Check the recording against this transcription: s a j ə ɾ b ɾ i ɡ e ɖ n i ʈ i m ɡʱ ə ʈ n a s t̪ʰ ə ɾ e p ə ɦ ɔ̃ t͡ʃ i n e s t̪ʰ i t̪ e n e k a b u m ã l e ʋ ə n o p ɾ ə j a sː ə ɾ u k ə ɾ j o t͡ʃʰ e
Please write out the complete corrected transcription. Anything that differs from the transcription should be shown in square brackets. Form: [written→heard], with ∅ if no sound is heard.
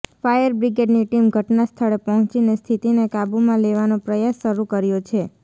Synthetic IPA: [s→f] a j ə ɾ b ɾ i ɡ e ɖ n i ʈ i m ɡʱ ə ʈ n a s t̪ʰ ə [ɾ→ɭ] e p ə ɦ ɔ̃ t͡ʃ i n e s t̪ʰ i t̪ [e→i] n e k a b u m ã l e ʋ [ə→a] n o p ɾ ə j a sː ə ɾ u k ə ɾ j o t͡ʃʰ e